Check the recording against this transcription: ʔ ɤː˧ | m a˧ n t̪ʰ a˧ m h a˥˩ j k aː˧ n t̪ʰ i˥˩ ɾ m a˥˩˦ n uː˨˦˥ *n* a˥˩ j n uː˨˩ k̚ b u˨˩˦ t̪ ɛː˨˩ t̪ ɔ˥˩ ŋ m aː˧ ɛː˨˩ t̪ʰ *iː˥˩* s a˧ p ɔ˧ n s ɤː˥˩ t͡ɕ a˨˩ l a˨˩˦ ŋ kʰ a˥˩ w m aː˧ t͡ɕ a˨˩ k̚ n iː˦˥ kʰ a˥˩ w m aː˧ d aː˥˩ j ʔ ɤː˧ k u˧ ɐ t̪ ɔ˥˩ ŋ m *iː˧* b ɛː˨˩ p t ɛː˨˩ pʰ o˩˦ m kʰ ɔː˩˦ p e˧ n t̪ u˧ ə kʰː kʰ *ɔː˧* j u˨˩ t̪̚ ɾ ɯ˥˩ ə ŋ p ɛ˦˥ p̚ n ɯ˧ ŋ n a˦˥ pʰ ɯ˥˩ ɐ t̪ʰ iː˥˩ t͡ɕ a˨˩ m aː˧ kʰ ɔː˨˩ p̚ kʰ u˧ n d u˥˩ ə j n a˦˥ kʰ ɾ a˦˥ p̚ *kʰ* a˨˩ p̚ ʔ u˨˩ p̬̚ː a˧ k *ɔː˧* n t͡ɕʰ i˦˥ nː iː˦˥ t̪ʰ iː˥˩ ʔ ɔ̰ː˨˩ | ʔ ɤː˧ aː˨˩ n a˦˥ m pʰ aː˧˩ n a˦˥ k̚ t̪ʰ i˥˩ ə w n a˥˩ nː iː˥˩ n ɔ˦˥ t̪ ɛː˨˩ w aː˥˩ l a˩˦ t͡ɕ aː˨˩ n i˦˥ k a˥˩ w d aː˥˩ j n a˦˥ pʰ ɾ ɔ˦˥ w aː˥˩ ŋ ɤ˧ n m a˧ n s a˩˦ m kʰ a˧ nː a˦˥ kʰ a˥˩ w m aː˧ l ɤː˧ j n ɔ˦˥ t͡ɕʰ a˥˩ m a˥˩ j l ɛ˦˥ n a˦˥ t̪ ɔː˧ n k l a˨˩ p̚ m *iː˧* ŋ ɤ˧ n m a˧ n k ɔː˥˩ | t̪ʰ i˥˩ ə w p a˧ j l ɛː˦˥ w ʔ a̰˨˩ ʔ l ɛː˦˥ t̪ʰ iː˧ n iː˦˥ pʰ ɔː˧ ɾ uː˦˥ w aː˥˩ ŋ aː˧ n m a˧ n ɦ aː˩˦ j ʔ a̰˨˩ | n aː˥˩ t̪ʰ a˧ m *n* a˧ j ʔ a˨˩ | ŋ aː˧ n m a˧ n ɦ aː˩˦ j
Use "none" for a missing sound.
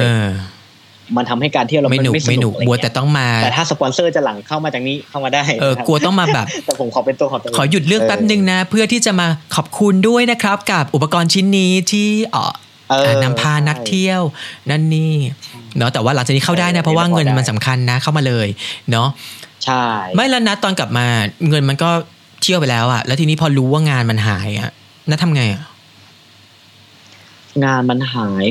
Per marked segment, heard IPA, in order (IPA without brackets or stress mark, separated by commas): m, aː˥˩, aː˧, ɔː˩˦, k, ɔː˧, aː˧, ŋ